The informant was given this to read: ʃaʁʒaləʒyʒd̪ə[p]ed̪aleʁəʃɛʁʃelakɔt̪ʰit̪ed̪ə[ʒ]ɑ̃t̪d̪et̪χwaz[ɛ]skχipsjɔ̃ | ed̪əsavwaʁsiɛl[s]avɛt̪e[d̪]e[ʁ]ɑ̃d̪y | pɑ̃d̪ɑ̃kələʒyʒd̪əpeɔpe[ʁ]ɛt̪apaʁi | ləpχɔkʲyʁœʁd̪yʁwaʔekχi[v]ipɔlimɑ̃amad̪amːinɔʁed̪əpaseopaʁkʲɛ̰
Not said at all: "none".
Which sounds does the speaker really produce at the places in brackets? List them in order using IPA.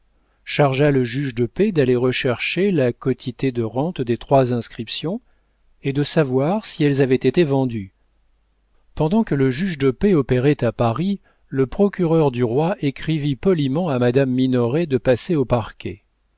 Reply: p, ʁ, ɛ̃, z, t̪, v, ʁ, v

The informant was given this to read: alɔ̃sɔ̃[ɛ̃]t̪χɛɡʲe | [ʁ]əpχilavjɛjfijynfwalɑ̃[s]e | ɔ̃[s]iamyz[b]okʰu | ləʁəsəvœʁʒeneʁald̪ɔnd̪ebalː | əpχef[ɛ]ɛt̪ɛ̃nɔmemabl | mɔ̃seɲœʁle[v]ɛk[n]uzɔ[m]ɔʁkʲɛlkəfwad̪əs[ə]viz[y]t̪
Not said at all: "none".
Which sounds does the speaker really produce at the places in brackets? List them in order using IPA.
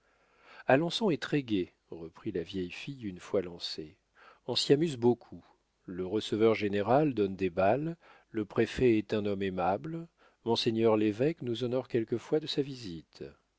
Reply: ɛ, ʁ, s, s, b, ɛ, v, n, n, a, i

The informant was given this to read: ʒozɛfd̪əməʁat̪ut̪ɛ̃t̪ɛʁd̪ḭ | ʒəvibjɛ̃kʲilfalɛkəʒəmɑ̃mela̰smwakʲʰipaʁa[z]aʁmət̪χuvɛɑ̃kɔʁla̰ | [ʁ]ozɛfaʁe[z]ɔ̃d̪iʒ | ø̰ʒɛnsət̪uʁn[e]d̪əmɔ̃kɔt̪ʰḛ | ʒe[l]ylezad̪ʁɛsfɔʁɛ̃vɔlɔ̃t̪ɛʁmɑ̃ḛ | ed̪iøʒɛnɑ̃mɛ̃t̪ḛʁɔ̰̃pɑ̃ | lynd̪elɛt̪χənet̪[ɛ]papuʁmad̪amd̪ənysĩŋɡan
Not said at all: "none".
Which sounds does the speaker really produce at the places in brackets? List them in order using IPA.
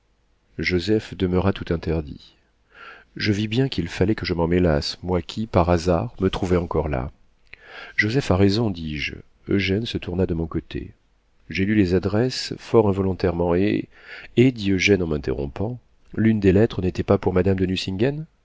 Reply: z, ʒ, z, a, l, ɛ

